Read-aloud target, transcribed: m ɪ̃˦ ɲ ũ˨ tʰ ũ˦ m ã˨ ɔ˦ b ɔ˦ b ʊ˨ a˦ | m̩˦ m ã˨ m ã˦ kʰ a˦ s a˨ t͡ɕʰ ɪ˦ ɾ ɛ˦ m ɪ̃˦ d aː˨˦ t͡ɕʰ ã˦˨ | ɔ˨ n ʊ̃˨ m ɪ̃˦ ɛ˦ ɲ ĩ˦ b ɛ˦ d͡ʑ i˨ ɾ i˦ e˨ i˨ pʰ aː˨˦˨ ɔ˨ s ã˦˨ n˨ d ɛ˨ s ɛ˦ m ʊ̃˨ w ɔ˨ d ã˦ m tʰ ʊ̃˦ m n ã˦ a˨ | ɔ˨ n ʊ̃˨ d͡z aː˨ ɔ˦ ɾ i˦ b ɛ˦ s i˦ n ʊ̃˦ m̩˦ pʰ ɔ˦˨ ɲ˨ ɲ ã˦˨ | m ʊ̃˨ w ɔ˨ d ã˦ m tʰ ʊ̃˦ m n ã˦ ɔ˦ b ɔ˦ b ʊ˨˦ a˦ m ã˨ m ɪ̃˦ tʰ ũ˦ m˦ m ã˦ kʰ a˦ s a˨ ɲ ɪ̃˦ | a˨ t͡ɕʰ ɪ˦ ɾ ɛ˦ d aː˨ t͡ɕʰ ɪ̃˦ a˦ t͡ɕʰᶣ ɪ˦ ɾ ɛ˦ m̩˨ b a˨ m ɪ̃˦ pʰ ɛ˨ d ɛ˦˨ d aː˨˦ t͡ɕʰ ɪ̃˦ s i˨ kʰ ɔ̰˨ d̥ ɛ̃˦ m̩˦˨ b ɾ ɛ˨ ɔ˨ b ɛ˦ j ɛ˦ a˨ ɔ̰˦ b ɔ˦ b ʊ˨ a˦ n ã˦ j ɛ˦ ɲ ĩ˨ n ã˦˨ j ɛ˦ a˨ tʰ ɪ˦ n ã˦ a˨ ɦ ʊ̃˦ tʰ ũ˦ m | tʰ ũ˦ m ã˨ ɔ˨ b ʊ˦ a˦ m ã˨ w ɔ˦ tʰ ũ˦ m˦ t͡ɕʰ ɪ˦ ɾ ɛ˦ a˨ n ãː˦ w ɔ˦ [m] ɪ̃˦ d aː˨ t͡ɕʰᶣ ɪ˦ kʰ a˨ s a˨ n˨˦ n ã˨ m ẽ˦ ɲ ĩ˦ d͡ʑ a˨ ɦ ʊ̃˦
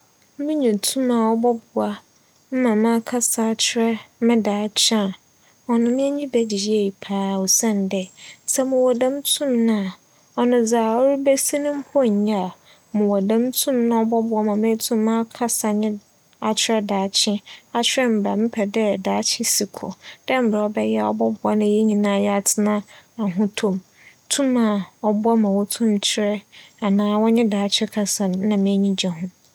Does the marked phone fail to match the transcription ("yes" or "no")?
yes